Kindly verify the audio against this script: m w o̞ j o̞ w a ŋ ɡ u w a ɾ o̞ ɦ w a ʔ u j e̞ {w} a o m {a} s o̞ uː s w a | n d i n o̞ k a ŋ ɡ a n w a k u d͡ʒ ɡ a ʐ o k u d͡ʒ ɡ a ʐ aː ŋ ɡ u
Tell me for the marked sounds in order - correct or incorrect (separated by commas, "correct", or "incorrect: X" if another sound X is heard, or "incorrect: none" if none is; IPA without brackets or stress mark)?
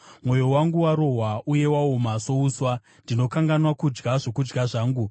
correct, correct